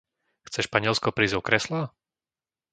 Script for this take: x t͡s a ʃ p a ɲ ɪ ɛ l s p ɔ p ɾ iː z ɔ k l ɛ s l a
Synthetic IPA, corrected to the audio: x t͡s ɛ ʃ p a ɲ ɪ ɛ l s k ɔ p ɾ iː z ɔ k ɾ ɛ s l a